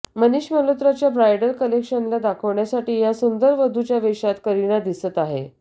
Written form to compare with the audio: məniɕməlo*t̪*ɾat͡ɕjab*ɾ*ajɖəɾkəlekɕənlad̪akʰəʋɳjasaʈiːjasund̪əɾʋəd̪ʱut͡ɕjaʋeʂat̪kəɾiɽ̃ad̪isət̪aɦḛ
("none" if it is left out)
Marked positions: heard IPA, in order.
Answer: t̪, ɾ

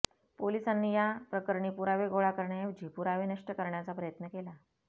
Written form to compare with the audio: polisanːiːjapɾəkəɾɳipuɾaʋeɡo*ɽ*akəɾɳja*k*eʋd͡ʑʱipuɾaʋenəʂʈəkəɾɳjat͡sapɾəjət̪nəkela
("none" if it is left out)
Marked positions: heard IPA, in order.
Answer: ɭ, none

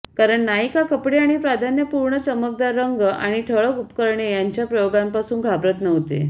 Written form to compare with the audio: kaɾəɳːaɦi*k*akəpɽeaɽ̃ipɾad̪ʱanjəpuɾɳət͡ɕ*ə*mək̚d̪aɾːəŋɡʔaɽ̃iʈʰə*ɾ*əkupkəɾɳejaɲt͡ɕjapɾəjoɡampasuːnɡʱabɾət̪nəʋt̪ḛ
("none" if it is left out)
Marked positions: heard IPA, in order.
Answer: k, ə, ɭ

